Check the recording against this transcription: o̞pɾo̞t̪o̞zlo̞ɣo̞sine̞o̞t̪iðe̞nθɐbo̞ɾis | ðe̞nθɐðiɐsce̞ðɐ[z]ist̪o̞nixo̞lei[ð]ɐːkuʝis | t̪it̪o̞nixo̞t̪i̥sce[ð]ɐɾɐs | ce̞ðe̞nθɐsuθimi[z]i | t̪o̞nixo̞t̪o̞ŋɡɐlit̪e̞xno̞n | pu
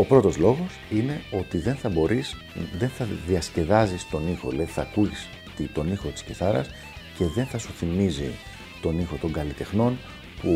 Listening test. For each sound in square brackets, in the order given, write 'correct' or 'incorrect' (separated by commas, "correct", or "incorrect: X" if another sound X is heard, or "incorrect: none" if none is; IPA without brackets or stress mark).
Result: correct, incorrect: θ, incorrect: θ, correct